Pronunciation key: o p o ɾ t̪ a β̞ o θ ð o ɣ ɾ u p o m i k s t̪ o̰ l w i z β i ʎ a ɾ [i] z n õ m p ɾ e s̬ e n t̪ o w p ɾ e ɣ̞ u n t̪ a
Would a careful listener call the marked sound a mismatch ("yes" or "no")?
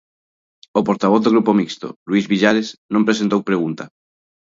yes